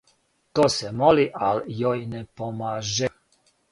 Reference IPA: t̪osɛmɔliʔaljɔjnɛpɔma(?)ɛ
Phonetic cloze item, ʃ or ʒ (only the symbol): ʒ